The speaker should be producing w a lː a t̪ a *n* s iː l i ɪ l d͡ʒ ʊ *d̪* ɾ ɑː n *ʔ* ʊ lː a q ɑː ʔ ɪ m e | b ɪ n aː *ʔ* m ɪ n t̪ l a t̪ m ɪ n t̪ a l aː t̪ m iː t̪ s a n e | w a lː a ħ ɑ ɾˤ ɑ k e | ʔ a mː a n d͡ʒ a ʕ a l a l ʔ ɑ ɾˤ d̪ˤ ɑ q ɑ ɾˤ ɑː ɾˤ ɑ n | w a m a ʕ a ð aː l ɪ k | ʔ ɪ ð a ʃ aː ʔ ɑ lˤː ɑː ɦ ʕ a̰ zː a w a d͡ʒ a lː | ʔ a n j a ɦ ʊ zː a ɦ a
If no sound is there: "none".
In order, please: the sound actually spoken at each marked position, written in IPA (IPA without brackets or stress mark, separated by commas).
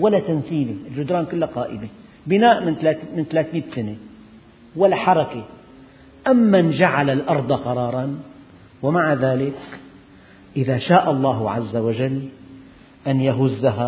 n, d̪, k, ʔ